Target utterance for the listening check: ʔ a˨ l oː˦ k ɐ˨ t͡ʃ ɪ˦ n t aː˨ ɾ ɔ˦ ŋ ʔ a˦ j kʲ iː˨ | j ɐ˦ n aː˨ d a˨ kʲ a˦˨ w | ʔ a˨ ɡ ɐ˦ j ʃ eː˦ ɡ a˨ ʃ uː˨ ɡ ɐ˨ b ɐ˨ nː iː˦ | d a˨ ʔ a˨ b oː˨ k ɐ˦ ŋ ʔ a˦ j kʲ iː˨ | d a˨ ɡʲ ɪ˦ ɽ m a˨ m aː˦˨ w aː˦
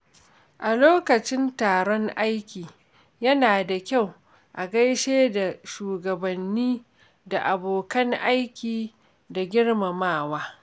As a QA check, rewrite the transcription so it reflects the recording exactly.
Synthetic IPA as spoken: ʔ a˨ l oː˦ k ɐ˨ t͡ʃ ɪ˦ n t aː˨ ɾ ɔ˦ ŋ ʔ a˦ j kʲ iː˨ | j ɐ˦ n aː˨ d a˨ kʲ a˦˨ w | ʔ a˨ ɡ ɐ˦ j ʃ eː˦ d a˨ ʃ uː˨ ɡ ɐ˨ b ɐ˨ nː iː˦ | d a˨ ʔ a˨ b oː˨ k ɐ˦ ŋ ʔ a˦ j kʲ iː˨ | d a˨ ɡʲ ɪ˦ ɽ m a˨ m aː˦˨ w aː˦